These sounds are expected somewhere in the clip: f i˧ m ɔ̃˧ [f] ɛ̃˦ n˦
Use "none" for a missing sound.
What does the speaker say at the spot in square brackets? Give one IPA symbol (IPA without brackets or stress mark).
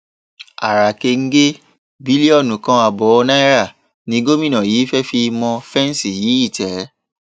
f